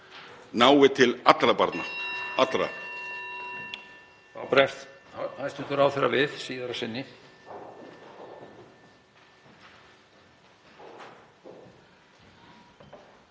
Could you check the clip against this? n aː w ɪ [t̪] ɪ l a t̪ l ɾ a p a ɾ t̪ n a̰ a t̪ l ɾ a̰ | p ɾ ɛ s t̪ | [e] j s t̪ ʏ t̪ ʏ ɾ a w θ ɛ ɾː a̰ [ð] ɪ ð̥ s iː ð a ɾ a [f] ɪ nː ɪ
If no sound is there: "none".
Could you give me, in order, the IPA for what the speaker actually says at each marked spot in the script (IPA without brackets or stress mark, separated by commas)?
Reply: t̪ʰ, a, v, s